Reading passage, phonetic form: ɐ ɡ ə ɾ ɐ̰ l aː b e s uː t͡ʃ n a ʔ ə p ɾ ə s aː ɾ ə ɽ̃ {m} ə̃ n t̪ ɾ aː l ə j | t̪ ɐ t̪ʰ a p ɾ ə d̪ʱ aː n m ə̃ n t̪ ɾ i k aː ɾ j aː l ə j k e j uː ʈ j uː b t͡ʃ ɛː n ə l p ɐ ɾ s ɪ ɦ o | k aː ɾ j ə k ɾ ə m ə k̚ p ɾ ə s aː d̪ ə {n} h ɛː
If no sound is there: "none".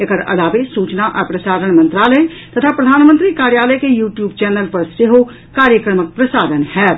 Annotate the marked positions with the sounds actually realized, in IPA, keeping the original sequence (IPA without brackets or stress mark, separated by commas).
m, n